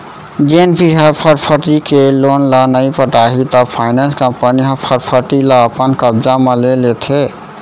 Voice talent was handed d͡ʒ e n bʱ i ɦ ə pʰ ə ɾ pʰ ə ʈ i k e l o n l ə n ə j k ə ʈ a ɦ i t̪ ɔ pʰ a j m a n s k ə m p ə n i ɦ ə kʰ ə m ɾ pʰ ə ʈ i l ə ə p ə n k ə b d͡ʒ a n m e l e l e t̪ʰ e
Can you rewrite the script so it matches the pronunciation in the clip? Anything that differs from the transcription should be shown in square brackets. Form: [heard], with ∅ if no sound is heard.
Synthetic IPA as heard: d͡ʒ e n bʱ i ɦ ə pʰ ə ɾ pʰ ə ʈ i k e l o n l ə n ə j [p] ə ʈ a ɦ i t̪ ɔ pʰ a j [n] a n s k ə m p ə n i ɦ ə [pʰ] ə [∅] ɾ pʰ ə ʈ i l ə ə p ə n k ə b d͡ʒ a [∅] m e l e l e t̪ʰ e